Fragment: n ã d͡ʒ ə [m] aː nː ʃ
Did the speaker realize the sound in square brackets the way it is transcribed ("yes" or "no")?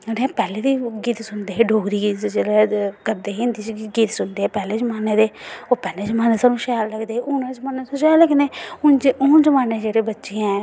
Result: yes